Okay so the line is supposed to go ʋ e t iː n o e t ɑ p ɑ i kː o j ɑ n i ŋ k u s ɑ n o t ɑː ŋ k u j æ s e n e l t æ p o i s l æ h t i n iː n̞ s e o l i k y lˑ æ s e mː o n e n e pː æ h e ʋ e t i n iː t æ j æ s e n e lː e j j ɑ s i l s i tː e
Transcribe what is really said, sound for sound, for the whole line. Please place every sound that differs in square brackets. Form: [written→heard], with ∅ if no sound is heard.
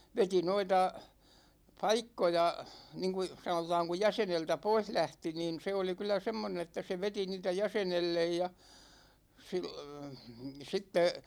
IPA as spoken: ʋ e t [iː→i] n o [e→i] t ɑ p ɑ i kː o j ɑ n i ŋ k u s ɑ n o t ɑː ŋ k u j æ s e n e l t æ p o i s l æ h t i n iː n̞ s e o l i k y lˑ æ s e mː o n e n e [pː→tː] æ [h→s] e ʋ e t i n iː t æ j æ s e n e lː e j j ɑ s i l s i tː e

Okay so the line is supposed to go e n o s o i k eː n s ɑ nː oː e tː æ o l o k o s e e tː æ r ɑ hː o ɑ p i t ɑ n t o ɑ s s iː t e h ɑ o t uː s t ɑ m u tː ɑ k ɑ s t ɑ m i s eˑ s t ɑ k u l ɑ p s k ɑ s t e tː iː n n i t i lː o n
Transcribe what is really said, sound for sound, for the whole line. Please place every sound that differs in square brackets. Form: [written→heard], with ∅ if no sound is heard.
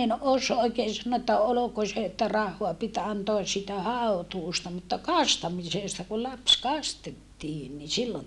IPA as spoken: e n o s o i k eː n s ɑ nː oː e tː æ o l o k o s e e tː æ r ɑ hː o ɑ p i t ɑ n t o ɑ s s iː t [e→æ] h ɑ o t uː s t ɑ m u tː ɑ k ɑ s t ɑ m i s eˑ s t ɑ k u l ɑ p s k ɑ s t e tː iː n n i [t→s] i lː o n

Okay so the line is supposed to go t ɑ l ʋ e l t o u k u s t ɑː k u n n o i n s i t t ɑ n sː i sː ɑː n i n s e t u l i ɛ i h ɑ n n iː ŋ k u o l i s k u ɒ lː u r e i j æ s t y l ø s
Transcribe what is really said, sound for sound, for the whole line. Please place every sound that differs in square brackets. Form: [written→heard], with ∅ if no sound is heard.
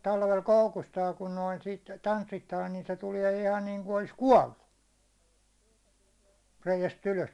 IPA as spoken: t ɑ l ʋ e l [t→k] o u k u s t ɑː k u n n o i n s i t t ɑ n sː i [sː→tː] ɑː n i n s e t u l i ɛ i h ɑ n n iː ŋ k u o l i s k u ɒ lː u r e i j æ s t y l ø s

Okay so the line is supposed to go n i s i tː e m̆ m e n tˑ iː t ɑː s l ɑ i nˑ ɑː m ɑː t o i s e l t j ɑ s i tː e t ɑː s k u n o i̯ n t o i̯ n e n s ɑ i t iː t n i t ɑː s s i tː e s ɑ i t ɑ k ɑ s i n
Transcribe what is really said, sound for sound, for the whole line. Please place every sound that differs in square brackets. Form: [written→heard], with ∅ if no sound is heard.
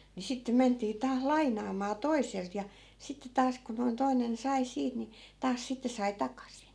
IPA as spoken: n i s i tː e m̆ m e n tˑ iː t ɑː s l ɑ i nˑ ɑː m ɑː t o i s e l t j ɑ s i tː e t ɑː s k u n o i̯ n t o i̯ n e n s ɑ i [t→s] iː t n i t ɑː s s i tː e s ɑ i t ɑ k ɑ s i n

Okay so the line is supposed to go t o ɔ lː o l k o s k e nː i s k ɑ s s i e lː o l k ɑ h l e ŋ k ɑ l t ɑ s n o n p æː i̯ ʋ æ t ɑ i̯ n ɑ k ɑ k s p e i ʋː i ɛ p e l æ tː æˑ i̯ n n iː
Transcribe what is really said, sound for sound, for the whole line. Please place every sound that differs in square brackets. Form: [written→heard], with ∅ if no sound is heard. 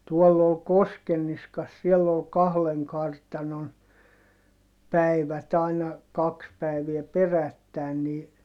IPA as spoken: t [o→u] ɔ lː o l k o s k e nː i s k ɑ s s i e lː o l k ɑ h l e ŋ k ɑ [l→r] t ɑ [s→∅] n o n p [æː→æ] i̯ ʋ æ t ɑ i̯ n ɑ k ɑ k s p [e→æ] i [ʋː→ʋ] i ɛ p e [l→r] æ tː æˑ i̯ n n iː

